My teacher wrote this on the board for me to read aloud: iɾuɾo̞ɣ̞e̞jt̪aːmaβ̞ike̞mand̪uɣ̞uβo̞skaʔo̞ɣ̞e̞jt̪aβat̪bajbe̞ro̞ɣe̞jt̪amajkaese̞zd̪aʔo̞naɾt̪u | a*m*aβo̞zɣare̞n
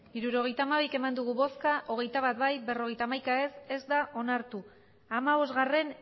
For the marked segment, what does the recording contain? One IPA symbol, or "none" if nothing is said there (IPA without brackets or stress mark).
m